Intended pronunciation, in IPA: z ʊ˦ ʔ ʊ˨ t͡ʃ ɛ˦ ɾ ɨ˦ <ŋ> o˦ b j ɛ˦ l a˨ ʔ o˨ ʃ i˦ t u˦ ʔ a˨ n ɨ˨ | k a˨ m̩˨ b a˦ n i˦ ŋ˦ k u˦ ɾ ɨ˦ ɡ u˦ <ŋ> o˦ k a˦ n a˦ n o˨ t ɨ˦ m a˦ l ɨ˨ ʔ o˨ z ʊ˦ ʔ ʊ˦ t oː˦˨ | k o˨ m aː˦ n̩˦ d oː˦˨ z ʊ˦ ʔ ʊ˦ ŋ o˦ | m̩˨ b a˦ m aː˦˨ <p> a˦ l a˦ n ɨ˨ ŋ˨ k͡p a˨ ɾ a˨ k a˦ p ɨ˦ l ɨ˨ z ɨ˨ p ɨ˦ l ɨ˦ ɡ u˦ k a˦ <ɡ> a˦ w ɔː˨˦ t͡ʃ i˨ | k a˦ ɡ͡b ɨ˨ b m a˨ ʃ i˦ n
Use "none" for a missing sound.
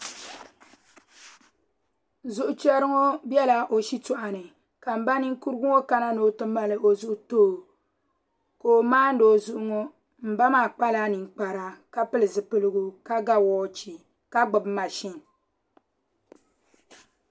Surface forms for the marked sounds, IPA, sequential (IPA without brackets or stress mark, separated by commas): ŋ, ŋ, k͡p, ɡ